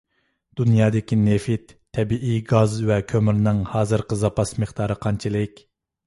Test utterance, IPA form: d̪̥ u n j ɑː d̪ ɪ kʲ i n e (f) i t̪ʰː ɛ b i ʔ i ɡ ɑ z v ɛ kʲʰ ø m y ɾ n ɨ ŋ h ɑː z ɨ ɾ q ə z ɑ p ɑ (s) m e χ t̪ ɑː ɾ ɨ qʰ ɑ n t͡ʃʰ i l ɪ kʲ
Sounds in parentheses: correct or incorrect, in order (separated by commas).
correct, correct